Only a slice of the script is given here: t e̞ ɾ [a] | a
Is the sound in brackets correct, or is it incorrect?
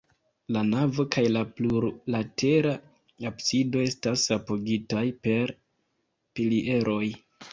correct